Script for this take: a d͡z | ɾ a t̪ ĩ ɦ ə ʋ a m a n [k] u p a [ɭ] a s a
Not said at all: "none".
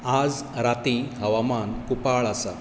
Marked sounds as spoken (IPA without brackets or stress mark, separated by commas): k, ɭ